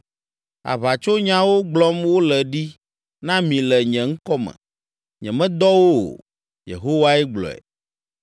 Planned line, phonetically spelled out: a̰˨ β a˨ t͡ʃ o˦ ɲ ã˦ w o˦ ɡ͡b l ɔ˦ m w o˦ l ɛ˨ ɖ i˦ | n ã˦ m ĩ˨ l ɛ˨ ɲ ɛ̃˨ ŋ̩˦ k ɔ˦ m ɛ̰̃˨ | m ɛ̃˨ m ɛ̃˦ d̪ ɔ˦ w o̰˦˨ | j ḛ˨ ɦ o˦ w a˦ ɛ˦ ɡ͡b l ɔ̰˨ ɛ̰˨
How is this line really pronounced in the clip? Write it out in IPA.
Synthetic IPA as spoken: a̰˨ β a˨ t͡ʃ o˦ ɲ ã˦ w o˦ ɡ͡b l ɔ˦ m w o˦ l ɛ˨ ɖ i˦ | n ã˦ m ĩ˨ l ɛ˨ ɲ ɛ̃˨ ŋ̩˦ k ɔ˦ m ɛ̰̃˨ | ɲ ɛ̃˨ m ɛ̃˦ d̪ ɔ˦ w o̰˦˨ | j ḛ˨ ɦ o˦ w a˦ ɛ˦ ɡ͡b l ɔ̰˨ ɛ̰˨